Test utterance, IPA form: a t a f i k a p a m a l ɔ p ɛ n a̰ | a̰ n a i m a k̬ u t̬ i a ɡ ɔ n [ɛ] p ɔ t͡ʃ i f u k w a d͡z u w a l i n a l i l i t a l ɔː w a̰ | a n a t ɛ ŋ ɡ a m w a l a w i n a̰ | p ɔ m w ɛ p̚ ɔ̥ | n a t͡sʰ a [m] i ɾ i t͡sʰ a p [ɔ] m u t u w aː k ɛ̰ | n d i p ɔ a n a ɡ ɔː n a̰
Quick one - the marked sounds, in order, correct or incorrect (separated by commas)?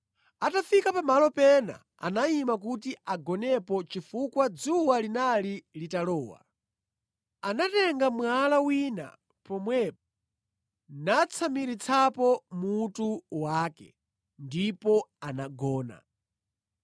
correct, correct, correct